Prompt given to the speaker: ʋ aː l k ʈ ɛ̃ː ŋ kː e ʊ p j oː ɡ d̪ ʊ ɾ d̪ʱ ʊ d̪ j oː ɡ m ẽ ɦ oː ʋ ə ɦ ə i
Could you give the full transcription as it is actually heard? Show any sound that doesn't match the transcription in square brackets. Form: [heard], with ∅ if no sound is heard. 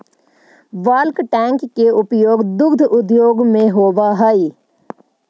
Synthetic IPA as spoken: ʋ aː l k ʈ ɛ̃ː ŋ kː e ʊ p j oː ɡ d̪ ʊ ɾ d̪ʱ ʊ d̪ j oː ɡ m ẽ ɦ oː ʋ [a] ɦ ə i

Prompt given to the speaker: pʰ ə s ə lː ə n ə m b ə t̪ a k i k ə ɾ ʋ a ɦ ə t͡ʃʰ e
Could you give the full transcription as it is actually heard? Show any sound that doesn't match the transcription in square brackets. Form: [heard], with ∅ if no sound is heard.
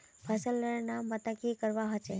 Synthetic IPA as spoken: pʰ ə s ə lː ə n [a] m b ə t̪ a k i k ə ɾ ʋ a ɦ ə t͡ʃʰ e

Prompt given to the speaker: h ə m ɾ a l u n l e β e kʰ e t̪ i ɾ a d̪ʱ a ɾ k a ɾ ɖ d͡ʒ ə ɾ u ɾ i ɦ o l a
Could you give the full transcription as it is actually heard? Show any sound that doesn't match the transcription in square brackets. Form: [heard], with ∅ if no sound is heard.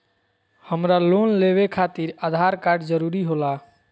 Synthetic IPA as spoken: h ə m ɾ a l [o] n l e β e kʰ [a] t̪ i ɾ a d̪ʱ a ɾ k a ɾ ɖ d͡ʒ ə ɾ u ɾ i ɦ o l a

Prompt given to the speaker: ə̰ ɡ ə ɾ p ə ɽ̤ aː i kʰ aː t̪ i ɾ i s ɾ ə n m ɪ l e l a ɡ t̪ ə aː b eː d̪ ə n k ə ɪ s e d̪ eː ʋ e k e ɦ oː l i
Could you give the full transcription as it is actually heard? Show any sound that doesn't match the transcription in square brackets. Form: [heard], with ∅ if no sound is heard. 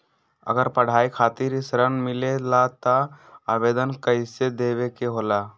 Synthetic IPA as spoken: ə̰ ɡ ə ɾ p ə ɽ̤ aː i kʰ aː t̪ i ɾ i s ɾ ə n m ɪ l e l a [∅] t̪ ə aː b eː d̪ ə n k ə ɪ s e d̪ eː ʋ e k e ɦ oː l [a]

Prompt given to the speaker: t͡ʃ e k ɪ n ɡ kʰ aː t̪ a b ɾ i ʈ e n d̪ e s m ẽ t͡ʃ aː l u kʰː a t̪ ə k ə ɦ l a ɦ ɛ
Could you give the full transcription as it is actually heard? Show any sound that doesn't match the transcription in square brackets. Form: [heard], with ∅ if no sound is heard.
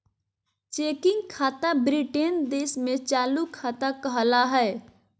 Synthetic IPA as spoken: t͡ʃ e k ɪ [ŋ] ɡ kʰ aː t̪ a b ɾ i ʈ e n d̪ e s m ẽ t͡ʃ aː l u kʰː a t̪ [a] k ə ɦ l a ɦ ɛ

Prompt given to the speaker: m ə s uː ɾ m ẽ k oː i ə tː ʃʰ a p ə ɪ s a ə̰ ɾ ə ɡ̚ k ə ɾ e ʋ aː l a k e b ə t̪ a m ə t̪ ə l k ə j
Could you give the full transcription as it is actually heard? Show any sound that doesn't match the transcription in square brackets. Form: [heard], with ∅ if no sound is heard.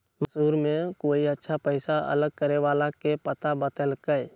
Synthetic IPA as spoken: m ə s uː ɾ m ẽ k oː i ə tː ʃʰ a p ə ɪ s a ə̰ [l] ə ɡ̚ k ə ɾ e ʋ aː l a k e [p] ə t̪ a [b] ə t̪ ə l k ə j

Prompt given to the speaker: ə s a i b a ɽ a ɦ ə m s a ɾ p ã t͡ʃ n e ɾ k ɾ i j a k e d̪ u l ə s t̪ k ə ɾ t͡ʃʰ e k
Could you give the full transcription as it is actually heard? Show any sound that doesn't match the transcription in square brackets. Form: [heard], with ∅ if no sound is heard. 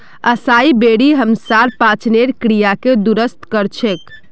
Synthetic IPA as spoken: ə s a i b [e] ɽ [i] ɦ ə m s a ɾ p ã t͡ʃ n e ɾ k ɾ i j a k e d̪ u [ɾ] ə s t̪ k ə ɾ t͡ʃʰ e k

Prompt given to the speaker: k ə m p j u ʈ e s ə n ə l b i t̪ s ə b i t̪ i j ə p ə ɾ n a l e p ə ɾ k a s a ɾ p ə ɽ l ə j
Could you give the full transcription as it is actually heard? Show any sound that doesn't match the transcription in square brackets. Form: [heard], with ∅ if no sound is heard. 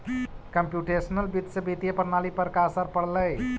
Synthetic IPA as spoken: k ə m p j u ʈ e s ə n ə l b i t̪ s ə b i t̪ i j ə p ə ɾ n a l [i] p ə ɾ k a s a ɾ p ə ɽ l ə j

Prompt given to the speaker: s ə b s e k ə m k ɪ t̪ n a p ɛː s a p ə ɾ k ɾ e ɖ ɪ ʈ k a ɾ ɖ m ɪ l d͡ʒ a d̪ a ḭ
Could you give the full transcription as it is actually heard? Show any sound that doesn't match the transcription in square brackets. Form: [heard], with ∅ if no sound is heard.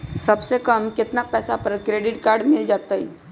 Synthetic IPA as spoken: s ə b s e k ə m k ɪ t̪ n a p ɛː s a p ə ɾ k ɾ e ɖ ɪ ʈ k a ɾ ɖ m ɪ l d͡ʒ a [t̪] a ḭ

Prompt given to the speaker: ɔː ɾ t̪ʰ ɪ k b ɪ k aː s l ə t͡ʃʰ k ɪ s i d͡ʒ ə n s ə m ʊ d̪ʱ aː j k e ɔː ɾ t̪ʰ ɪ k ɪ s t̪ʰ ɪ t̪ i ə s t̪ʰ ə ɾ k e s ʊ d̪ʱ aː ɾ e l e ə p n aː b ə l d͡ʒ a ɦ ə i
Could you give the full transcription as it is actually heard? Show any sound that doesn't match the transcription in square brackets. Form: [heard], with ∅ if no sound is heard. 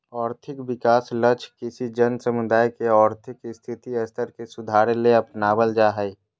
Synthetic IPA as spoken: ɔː ɾ t̪ʰ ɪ k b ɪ k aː s l ə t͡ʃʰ k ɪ s i d͡ʒ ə n s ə m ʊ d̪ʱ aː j k e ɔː ɾ t̪ʰ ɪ k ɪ s t̪ʰ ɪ t̪ i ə s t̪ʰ ə ɾ k e s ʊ d̪ʱ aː ɾ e l e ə p n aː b ə l d͡ʒ a ɦ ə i

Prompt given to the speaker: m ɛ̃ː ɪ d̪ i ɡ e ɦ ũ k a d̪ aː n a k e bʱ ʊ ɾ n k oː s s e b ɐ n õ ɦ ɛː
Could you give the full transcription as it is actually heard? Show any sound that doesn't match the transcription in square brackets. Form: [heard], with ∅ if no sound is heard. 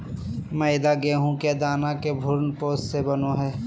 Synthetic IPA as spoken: m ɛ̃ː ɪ d̪ [a] ɡ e ɦ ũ k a d̪ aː n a k e bʱ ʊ ɾ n [p] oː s s e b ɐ n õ ɦ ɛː

